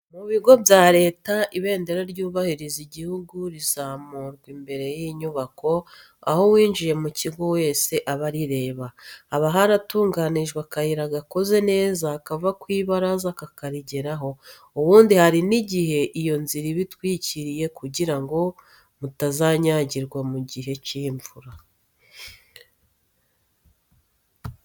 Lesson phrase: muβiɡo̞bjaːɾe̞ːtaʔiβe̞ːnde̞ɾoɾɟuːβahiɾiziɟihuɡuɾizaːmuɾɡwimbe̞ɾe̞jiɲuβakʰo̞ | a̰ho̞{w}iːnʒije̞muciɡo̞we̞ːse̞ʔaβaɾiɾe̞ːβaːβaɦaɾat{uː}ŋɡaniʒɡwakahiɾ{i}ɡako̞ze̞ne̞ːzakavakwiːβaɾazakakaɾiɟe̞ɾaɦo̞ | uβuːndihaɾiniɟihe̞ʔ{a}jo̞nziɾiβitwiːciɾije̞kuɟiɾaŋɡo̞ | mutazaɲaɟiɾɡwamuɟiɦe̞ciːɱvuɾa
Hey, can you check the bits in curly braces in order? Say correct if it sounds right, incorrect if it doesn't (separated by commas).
correct, correct, incorrect, incorrect